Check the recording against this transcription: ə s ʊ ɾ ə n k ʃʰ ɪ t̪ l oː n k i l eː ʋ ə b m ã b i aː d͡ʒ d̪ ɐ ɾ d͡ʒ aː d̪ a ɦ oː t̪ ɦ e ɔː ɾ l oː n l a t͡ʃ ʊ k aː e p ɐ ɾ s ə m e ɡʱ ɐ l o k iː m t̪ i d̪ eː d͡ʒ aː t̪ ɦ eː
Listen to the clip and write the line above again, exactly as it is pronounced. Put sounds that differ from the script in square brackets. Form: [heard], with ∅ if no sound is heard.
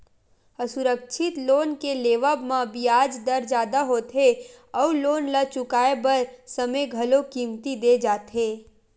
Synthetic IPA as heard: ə s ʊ ɾ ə [∅] k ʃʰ ɪ t̪ l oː n k [e] l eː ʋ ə b m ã b i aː d͡ʒ d̪ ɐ ɾ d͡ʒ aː d̪ a ɦ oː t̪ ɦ e ɔː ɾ l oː n l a t͡ʃ ʊ k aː e [b] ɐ ɾ s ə m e ɡʱ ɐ l o k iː m t̪ i d̪ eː d͡ʒ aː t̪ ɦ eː